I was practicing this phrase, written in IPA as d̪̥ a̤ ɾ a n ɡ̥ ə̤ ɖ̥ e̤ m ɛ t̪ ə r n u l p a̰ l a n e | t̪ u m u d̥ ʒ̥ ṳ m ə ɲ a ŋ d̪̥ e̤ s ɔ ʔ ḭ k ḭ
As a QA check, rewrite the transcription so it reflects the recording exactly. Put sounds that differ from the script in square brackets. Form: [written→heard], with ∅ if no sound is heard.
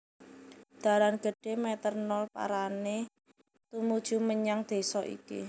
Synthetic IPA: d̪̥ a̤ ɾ a n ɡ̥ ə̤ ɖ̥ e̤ m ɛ t̪ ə r n [u→ɔ] l p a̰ [l→ɾ] a n e | t̪ u m u d̥ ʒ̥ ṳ m ə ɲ a ŋ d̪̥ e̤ s ɔ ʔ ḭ k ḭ